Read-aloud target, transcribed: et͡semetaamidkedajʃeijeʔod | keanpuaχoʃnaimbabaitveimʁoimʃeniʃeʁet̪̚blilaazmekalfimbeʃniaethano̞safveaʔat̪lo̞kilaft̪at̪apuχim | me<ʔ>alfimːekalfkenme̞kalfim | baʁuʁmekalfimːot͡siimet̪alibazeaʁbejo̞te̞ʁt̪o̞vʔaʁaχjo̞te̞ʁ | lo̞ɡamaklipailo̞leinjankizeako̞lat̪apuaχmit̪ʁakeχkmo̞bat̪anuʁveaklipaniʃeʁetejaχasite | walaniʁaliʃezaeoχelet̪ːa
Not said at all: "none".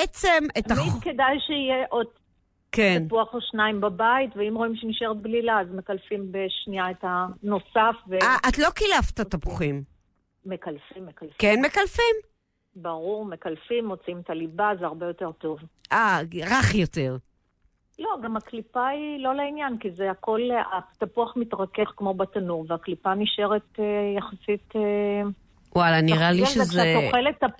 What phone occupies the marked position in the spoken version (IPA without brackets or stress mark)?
k